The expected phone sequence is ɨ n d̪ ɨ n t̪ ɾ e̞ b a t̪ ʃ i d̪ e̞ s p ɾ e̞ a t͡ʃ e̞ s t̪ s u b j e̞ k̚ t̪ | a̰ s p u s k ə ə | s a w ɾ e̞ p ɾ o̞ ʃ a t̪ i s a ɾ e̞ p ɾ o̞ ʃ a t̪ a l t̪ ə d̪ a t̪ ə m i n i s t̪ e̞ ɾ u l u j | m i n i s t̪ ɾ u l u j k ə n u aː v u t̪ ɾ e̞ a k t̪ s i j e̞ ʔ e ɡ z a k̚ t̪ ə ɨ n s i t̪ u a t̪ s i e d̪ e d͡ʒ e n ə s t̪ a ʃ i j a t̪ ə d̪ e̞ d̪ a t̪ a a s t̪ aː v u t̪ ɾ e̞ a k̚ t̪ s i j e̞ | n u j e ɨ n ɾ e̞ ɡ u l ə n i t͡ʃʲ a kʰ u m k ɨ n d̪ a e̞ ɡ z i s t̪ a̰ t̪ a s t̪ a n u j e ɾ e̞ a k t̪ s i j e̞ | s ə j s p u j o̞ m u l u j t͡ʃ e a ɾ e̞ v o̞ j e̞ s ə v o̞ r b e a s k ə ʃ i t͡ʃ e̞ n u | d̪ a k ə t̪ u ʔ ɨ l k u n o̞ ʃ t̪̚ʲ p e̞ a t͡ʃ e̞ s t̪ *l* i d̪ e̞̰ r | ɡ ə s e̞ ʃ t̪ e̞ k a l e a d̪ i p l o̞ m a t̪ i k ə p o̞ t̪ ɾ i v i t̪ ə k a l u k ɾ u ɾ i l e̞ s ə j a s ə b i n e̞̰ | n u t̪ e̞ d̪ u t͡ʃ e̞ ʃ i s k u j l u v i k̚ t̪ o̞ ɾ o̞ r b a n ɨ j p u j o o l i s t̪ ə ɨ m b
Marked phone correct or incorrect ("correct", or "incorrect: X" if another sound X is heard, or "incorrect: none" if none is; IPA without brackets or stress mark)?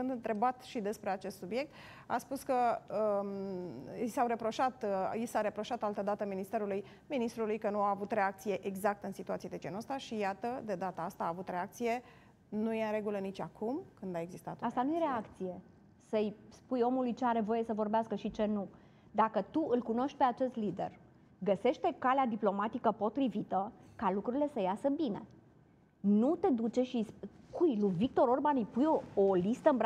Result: correct